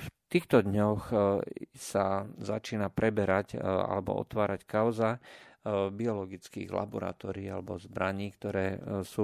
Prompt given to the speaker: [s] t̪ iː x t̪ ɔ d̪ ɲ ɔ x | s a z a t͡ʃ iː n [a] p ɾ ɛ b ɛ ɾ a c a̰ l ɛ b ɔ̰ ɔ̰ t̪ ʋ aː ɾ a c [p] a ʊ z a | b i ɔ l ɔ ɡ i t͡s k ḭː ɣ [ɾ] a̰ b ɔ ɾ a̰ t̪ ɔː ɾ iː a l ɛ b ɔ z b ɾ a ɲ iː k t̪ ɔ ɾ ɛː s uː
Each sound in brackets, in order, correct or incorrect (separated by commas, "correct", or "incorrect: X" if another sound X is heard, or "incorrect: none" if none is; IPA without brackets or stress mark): incorrect: f, correct, incorrect: k, incorrect: l